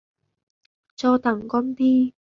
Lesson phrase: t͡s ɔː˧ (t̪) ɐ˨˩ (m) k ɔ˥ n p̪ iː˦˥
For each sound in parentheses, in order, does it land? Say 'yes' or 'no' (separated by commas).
yes, no